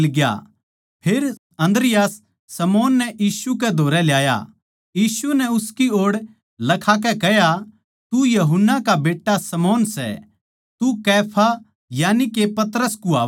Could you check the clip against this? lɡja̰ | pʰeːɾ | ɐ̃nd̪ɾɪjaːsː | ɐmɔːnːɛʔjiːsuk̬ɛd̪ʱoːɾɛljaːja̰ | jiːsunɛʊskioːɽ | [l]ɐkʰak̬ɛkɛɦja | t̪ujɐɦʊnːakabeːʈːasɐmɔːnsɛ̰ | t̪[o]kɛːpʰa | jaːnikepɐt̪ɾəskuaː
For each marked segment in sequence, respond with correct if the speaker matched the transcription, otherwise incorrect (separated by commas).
correct, incorrect